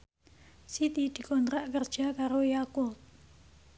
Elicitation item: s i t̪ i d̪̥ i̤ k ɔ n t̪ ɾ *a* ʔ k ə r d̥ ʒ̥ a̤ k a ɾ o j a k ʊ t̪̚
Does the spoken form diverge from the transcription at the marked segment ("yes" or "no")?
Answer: no